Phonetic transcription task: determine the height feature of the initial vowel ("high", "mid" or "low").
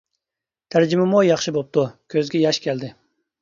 low